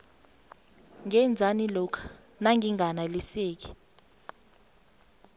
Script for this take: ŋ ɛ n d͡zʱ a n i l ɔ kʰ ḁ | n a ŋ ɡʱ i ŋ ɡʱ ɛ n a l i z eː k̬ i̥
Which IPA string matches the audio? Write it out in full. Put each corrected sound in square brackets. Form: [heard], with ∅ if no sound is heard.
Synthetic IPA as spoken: ŋ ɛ n d͡zʱ a n i l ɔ kʰ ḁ | n a ŋ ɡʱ i ŋ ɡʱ [a] n a l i [s] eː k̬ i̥